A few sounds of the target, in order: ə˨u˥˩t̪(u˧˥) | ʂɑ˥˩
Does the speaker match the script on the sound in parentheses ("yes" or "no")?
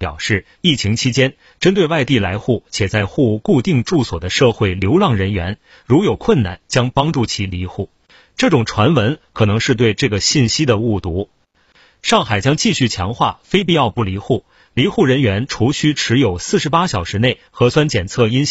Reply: yes